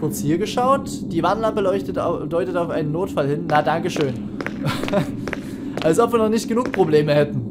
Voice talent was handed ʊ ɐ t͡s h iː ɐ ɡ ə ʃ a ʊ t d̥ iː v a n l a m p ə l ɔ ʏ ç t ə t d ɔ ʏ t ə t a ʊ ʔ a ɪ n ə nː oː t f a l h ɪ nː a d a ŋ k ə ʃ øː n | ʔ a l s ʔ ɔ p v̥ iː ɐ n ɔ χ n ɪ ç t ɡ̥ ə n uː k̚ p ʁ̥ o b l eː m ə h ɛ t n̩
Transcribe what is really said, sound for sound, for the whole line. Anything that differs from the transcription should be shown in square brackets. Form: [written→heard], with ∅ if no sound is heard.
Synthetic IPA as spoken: ʊ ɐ t͡s h iː ɐ ɡ ə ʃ a ʊ t d̥ iː v a n l a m p ə l ɔ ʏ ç t ə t d ɔ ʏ t ə t a ʊ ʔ a ɪ n ə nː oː t f a l h ɪ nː a d a ŋ k ə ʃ øː n | ʔ a l s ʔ ɔ p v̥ iː ɐ n ɔ χ n ɪ ç t ɡ̥ ə n uː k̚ p ʁ̥ o b l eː m ə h ɛ t n̩